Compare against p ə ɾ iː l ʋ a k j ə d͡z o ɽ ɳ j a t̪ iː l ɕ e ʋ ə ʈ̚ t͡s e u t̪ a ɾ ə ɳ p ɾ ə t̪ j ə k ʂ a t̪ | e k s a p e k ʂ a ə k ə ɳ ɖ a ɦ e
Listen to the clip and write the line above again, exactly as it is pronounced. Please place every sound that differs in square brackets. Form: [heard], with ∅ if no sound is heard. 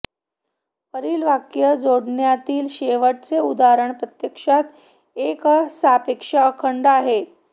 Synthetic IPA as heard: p ə ɾ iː l ʋ a k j ə d͡z o ɽ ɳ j a t̪ iː l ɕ e ʋ ə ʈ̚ t͡s e u [d̪] a ɾ ə ɳ p ɾ ə t̪ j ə k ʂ a t̪ | e k s a p e k ʂ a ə [kʰ] ə ɳ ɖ a ɦ e